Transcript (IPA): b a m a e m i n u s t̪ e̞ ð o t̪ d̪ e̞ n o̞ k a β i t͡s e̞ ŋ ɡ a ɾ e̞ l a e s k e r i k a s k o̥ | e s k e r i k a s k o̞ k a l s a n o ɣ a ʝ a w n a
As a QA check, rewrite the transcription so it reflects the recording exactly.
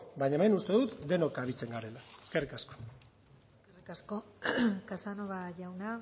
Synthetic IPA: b a ɲ a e m e n u s t̪ e̞ ð u t̪ d̪ e̞ n o̞ k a β i t͡s e̞ ŋ ɡ a ɾ e̞ l a e s k e r i k a s k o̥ | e s k e r i k a s k o̞ k a s a n o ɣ a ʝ a w n a